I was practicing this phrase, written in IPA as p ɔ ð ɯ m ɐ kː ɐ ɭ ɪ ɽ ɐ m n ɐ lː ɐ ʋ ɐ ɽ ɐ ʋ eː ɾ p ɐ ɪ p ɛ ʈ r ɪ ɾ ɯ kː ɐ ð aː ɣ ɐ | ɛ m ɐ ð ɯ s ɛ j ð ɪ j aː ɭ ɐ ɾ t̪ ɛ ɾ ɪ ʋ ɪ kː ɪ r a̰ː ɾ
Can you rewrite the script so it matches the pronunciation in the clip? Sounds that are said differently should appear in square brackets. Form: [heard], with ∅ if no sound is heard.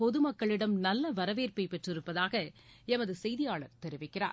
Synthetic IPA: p ɔ ð ɯ m ɐ kː ɐ ɭ ɪ ɽ ɐ m n ɐ lː ɐ ʋ ɐ [ɾ] ɐ ʋ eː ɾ p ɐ ɪ p ɛ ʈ r ɪ ɾ ɯ [pː] ɐ ð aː ɣ ɐ | ɛ m ɐ ð ɯ s ɛ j ð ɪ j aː ɭ ɐ ɾ t̪ ɛ ɾ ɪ ʋ ɪ kː ɪ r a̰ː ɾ